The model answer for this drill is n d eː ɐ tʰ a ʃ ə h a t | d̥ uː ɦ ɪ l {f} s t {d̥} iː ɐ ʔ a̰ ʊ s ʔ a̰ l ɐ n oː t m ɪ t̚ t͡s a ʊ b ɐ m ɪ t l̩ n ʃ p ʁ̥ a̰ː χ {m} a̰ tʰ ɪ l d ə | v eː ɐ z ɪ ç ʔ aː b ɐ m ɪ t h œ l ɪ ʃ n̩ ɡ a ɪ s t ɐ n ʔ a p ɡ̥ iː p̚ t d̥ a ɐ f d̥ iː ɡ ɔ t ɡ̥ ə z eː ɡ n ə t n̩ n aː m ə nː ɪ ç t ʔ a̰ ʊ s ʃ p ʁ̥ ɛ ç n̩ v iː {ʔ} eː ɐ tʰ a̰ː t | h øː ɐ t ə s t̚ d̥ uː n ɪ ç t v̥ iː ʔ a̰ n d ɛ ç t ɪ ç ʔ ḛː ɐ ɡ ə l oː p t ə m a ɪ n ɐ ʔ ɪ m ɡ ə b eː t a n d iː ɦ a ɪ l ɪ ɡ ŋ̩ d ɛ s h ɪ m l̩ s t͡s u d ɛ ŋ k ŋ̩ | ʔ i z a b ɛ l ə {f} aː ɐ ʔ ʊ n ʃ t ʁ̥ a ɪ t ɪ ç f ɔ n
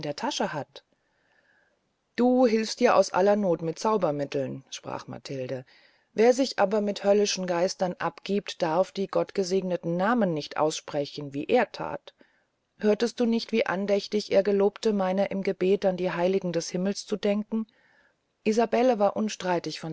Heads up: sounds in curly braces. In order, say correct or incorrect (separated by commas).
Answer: correct, correct, correct, correct, incorrect